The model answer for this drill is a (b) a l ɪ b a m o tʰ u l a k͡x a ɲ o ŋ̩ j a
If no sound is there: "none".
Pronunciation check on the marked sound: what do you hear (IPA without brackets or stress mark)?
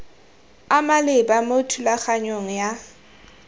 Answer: m